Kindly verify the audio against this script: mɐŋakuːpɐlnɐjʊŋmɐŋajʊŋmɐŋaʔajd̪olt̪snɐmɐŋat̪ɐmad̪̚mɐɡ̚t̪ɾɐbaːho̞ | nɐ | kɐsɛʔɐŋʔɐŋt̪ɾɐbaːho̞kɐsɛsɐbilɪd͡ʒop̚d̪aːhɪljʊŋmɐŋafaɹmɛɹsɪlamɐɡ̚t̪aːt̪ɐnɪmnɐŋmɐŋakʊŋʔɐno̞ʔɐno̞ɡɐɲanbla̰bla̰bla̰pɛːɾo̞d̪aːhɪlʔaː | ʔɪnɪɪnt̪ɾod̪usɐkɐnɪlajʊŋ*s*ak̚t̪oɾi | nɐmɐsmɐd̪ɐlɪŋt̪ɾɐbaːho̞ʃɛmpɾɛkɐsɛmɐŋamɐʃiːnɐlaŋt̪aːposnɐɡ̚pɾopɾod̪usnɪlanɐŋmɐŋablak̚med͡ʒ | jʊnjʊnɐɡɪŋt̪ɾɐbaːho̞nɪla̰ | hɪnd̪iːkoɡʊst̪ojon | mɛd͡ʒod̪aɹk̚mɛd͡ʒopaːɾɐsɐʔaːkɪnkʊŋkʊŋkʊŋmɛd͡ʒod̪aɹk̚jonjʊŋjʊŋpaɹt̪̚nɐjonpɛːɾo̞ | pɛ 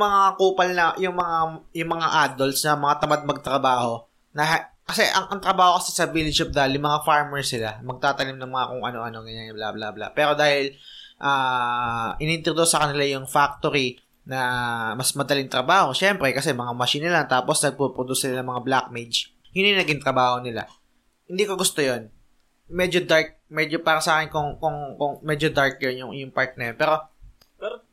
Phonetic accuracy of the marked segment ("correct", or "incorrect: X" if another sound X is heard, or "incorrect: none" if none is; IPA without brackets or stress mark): incorrect: f